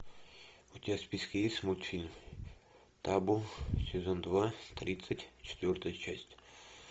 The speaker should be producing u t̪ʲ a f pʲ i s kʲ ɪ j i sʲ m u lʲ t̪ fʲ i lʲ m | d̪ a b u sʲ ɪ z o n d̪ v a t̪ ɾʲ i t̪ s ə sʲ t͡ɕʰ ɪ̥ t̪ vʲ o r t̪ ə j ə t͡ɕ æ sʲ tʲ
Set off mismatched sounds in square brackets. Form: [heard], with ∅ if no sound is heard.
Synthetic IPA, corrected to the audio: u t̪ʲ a [s] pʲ i s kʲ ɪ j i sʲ m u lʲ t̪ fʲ i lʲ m | [t̪] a b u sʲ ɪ z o n d̪ v a t̪ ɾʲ i t̪ s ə [tʲ] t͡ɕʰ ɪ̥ t̪ vʲ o r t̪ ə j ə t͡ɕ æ sʲ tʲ